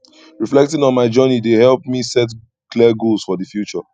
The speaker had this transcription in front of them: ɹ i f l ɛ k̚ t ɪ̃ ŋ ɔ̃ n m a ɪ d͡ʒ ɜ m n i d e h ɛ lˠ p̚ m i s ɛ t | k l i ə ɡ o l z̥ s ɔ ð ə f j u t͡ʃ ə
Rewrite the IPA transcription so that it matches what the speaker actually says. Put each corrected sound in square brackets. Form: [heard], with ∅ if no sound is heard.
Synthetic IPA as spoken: ɹ i f l ɛ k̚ t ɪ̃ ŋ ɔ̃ n m a ɪ d͡ʒ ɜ [∅] n i d e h ɛ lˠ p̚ m i s ɛ t | k l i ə ɡ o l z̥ [f] ɔ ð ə f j u t͡ʃ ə